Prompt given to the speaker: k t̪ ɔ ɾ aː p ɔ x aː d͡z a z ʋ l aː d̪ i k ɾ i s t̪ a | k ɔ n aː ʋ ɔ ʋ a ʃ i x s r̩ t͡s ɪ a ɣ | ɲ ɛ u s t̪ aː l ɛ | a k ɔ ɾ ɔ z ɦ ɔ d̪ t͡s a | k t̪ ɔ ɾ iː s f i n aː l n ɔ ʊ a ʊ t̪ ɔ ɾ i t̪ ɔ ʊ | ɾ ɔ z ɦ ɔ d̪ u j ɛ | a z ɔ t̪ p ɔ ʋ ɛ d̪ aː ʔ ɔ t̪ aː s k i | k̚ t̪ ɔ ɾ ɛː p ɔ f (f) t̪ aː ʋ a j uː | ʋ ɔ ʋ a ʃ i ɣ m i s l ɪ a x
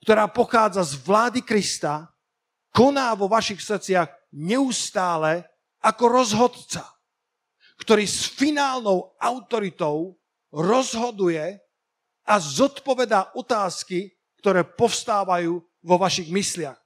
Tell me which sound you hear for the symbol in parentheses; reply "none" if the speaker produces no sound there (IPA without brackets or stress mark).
s